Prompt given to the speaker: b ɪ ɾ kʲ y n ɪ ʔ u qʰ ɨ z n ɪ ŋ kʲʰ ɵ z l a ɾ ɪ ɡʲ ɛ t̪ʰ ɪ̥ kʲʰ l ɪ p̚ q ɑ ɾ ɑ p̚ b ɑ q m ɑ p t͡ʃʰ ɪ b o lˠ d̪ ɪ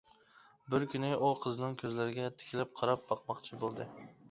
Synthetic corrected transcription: b ɪ ɾ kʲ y n ɪ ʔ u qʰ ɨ z n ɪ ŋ kʲʰ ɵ z l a ɾ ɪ ɡʲ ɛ t̪ʰ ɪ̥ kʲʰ l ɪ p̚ qʰ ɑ ɾ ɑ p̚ b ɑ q m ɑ q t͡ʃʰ ɪ b o lˠ d̪ ɪ